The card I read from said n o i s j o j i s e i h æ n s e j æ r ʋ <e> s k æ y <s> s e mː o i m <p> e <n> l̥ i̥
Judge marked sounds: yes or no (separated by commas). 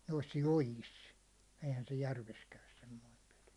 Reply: yes, yes, yes, no